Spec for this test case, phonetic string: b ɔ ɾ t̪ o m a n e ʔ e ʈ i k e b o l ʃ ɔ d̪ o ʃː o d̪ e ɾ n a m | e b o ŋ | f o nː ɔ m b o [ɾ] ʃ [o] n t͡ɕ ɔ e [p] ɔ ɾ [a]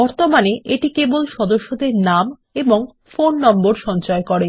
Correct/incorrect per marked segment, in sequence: correct, incorrect, incorrect, incorrect

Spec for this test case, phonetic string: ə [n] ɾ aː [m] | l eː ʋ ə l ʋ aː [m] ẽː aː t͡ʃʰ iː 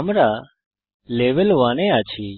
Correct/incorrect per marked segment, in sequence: incorrect, incorrect, incorrect

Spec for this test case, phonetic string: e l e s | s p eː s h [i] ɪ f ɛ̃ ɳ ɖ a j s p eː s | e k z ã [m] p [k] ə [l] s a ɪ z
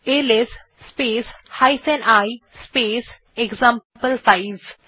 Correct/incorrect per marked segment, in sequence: incorrect, correct, incorrect, correct

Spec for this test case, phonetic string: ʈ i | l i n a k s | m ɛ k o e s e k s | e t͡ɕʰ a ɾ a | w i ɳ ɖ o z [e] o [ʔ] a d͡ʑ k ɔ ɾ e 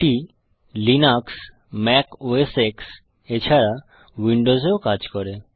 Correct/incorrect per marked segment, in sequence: correct, incorrect

